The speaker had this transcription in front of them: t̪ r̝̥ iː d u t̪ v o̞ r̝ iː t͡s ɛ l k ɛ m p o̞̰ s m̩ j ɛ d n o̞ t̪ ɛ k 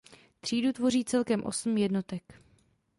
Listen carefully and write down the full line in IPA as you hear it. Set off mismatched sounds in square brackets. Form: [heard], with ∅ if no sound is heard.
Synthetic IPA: t̪ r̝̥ iː d u t̪ v o̞ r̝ iː t͡s ɛ l k ɛ m [ʔ] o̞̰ s m̩ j ɛ d n o̞ t̪ ɛ k